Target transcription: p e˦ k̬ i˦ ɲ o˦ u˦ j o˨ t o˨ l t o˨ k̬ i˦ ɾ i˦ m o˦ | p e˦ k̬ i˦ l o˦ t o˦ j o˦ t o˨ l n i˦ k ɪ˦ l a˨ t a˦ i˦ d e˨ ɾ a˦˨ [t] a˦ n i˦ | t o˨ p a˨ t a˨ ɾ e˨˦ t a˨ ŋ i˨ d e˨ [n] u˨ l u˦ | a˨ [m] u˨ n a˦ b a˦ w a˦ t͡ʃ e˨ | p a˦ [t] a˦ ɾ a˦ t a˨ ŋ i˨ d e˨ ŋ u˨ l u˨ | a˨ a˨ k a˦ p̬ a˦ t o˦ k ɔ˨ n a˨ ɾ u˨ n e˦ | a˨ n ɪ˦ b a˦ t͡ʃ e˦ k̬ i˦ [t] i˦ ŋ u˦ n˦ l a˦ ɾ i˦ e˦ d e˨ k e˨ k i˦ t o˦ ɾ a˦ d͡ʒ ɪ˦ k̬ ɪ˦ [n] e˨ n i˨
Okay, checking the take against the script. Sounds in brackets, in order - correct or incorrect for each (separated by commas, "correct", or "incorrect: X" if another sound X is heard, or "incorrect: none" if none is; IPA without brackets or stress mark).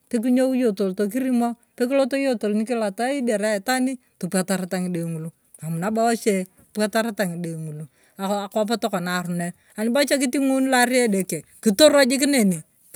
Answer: correct, incorrect: ŋ, correct, correct, correct, correct